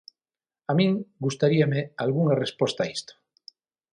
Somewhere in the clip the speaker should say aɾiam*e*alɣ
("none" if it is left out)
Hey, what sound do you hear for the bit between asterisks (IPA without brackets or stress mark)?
e